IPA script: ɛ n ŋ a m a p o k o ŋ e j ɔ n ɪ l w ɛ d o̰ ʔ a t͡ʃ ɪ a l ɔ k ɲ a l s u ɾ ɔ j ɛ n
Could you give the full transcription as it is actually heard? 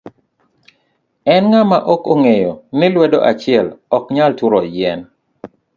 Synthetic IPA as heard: ɛ n ŋ a m a ʔ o k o ŋ e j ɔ n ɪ l w ɛ d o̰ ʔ a t͡ʃ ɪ ɛ l ɔ k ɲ a l t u ɾ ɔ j ɛ n